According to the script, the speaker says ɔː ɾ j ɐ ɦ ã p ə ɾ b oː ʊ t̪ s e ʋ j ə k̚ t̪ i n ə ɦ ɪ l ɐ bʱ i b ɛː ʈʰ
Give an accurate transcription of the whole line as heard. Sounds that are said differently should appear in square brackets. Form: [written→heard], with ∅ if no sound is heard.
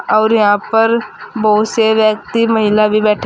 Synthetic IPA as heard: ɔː ɾ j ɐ ɦ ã p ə ɾ b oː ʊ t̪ s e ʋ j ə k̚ t̪ i [n→m] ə ɦ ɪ l [ɐ→a] bʱ i b ɛː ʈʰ

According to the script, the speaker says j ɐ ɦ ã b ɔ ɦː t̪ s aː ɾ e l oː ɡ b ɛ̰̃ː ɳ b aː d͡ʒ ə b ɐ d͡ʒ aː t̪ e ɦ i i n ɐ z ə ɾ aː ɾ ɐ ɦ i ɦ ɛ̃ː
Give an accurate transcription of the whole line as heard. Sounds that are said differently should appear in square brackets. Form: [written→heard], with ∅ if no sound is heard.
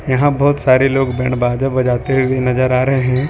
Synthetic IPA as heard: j ɐ ɦ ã b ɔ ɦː t̪ s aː ɾ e l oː ɡ b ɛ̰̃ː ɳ b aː d͡ʒ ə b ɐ d͡ʒ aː t̪ e ɦ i i n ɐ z ə ɾ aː ɾ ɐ ɦ [i→e] ɦ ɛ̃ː

